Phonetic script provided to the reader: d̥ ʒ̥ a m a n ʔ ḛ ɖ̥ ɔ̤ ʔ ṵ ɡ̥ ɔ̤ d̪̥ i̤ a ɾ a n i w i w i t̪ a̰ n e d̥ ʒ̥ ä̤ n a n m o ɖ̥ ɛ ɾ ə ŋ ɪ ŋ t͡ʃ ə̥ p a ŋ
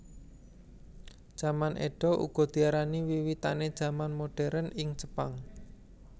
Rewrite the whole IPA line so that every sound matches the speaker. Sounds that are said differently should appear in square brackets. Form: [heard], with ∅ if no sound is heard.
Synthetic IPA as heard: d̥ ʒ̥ a m a n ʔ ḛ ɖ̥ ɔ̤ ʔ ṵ ɡ̥ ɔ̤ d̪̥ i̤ a ɾ a n i w i w i t̪ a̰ n e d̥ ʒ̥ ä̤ [m] a n m o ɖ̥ ɛ ɾ ə [n] ɪ ŋ t͡ʃ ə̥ p a ŋ